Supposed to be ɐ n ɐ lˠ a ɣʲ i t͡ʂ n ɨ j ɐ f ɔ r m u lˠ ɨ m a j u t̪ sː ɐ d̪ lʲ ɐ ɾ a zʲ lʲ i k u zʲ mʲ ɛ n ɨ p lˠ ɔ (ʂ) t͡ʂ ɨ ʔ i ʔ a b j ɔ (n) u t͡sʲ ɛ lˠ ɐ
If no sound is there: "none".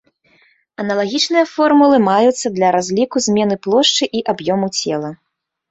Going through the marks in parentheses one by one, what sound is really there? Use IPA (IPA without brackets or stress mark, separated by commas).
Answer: ʂ, m